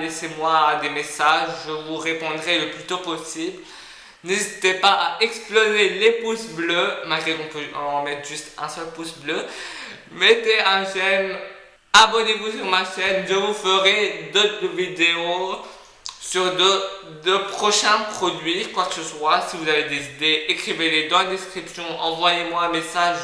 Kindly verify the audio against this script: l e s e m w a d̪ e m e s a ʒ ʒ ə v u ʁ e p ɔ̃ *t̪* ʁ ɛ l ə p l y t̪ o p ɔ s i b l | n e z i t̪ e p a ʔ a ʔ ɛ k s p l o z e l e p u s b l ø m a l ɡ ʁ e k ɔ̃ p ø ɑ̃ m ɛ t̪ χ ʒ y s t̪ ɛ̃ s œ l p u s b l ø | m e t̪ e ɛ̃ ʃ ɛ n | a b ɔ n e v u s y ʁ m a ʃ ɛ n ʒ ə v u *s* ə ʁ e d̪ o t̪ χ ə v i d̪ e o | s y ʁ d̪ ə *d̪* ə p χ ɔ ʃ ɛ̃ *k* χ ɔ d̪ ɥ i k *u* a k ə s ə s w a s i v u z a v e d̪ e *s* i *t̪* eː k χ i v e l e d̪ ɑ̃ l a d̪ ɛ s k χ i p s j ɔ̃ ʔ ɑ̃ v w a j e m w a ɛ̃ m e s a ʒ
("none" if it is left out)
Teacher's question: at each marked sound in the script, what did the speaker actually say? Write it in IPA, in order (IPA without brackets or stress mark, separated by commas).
d̪, f, d̪, p, w, z, d̪